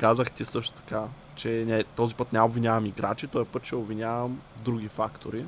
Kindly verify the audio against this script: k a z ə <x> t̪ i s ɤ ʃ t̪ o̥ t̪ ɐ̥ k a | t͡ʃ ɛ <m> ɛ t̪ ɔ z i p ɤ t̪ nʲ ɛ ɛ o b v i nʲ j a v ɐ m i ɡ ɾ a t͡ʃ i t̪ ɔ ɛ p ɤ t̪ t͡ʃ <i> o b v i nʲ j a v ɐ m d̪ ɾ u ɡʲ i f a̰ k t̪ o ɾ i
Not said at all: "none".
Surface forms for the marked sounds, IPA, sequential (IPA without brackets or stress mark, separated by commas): x, n, ɛ